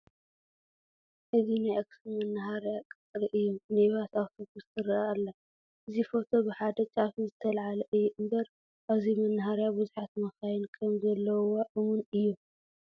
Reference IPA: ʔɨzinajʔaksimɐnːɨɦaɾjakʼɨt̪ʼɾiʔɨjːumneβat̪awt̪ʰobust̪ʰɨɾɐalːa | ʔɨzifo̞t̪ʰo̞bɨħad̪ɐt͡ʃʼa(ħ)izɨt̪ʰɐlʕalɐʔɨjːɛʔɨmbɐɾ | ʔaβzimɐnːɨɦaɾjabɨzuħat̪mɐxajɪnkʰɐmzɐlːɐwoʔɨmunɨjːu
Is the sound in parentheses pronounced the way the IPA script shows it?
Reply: no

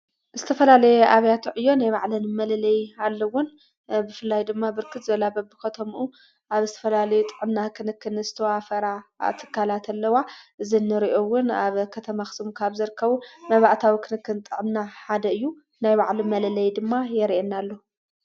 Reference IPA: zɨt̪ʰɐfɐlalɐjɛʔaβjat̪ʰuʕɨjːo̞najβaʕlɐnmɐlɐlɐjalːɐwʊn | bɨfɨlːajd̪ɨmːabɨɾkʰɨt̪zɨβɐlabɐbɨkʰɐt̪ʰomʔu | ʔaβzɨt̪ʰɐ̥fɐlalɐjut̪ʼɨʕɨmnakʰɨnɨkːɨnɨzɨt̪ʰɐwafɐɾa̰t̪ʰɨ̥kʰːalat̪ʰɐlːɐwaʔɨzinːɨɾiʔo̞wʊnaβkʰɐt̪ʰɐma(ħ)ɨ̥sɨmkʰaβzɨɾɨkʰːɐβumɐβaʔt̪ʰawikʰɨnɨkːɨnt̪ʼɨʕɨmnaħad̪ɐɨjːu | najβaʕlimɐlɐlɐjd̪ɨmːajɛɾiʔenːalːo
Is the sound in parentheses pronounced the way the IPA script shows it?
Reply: no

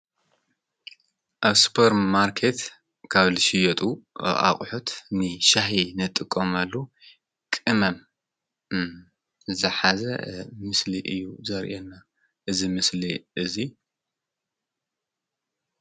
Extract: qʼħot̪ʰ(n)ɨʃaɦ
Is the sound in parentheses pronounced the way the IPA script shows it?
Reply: yes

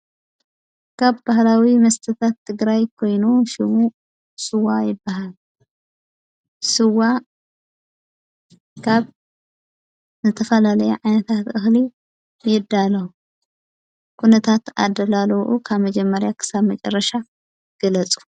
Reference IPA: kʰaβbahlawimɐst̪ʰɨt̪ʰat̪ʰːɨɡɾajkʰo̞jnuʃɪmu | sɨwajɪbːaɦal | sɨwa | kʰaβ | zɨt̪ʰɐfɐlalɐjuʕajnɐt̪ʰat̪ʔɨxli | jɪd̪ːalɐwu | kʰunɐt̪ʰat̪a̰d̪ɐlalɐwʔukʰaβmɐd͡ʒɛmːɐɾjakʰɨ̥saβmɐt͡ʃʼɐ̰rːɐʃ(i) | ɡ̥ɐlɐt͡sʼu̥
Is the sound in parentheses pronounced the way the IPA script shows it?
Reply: no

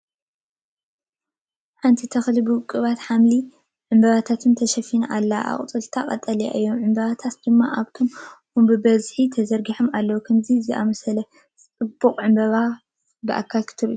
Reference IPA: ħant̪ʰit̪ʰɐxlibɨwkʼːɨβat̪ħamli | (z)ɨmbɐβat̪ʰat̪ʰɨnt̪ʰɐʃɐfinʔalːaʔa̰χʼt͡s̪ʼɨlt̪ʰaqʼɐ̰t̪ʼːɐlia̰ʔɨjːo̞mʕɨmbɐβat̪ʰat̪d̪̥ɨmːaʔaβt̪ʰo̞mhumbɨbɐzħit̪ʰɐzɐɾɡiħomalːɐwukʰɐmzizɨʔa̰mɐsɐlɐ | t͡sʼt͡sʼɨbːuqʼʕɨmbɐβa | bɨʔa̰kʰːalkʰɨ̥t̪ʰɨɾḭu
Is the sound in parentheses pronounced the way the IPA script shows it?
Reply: no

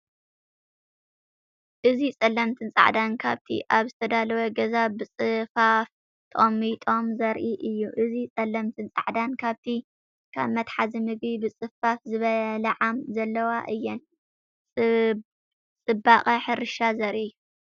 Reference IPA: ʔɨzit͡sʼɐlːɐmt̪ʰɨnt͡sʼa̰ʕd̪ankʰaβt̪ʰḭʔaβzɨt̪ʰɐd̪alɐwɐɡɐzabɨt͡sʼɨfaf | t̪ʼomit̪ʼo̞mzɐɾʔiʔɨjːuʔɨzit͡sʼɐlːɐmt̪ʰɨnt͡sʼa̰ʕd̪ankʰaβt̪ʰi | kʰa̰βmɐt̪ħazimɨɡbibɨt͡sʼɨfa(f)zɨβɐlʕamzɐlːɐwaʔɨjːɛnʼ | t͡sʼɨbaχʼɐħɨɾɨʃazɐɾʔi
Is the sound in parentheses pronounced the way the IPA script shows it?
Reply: yes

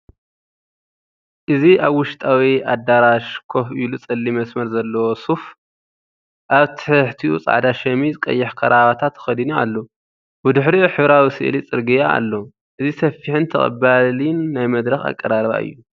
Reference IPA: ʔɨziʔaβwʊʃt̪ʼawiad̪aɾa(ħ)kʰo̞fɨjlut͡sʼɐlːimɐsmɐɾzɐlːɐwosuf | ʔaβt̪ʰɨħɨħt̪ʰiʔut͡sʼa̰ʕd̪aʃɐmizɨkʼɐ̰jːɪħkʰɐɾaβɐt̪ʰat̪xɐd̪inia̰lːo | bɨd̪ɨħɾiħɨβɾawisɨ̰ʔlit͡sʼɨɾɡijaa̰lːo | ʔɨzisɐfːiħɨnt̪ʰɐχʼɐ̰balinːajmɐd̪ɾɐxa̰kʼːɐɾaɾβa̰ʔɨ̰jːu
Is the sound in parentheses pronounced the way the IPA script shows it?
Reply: no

